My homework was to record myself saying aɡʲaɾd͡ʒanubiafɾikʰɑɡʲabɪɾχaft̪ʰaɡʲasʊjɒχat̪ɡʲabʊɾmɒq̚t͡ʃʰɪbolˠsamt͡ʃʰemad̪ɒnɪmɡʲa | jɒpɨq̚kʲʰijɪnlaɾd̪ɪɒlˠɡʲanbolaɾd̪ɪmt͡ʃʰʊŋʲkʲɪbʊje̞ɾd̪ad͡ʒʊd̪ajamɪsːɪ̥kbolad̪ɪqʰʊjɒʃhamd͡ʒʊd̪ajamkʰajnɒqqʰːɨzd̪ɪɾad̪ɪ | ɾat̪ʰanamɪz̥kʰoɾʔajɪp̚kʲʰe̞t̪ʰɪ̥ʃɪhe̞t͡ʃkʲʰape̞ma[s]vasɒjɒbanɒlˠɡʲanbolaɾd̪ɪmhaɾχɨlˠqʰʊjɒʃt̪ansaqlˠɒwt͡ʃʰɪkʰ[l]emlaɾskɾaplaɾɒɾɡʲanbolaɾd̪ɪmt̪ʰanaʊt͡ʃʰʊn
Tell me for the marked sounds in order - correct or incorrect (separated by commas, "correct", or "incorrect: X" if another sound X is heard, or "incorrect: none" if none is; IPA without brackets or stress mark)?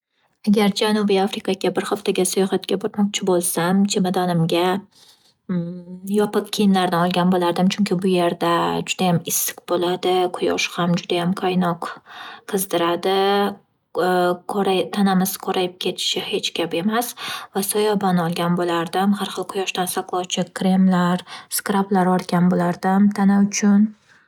correct, incorrect: ɾ